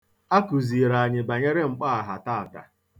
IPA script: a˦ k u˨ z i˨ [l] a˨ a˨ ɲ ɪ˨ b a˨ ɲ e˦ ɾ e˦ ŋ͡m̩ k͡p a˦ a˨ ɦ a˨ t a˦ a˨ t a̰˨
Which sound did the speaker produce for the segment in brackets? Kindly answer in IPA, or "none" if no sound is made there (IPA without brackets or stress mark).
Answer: ɾ